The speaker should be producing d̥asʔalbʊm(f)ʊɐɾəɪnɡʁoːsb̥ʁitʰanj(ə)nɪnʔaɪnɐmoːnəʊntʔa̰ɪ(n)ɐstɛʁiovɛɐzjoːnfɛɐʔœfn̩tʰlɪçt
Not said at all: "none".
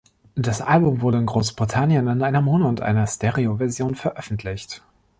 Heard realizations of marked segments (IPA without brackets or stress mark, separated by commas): v, ə, n